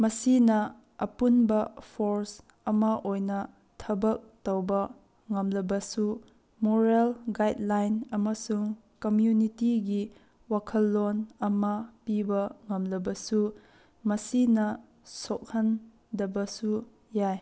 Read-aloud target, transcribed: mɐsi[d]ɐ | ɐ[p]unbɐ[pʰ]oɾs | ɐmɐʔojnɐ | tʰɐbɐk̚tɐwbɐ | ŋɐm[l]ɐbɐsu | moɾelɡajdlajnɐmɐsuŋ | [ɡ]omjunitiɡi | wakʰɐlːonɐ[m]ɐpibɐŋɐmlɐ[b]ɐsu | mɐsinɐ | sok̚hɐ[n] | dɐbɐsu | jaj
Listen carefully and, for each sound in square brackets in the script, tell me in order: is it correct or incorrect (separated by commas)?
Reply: incorrect, correct, correct, correct, incorrect, correct, correct, correct